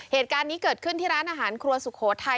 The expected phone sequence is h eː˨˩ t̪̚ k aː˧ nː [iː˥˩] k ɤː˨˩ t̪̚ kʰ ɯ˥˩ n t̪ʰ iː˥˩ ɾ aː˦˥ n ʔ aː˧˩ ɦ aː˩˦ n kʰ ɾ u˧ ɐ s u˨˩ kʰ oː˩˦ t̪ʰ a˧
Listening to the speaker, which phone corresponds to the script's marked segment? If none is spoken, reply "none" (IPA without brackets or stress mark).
iː˦˥